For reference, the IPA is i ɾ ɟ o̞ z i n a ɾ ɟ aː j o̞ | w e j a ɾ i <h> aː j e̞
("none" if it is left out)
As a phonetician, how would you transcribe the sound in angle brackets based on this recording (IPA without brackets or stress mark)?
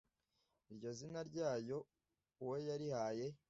h